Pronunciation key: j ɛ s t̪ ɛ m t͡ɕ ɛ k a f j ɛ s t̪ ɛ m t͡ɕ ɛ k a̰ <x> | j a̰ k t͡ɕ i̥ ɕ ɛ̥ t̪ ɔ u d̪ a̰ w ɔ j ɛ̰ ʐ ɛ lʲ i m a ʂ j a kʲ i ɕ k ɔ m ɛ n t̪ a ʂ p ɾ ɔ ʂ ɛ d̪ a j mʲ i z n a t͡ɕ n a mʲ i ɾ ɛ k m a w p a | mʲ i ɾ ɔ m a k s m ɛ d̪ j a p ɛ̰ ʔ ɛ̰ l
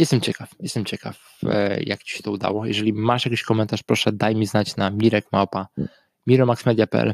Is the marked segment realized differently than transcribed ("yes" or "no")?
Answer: yes